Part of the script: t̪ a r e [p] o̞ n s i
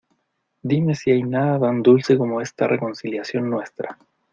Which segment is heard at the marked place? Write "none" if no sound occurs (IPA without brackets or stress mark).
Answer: k